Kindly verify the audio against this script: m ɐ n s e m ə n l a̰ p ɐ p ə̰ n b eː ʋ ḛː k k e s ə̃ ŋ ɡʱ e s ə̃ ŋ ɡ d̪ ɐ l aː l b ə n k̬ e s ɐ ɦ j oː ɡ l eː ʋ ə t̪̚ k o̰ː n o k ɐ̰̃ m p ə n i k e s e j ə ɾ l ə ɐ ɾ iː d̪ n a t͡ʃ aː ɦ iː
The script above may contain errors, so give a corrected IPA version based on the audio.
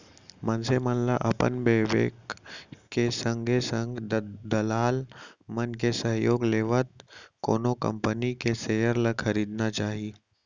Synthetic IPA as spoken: m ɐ n s e m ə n l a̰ ʔ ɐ p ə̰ n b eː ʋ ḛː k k e s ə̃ ŋ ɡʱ e s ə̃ ŋ ɡ d̪ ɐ l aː l m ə n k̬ e s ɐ ɦ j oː ɡ l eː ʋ ə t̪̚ k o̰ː n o k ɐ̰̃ m p ə n i k e s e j ə ɾ l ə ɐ ɾ iː d̪ n a t͡ʃ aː ɦ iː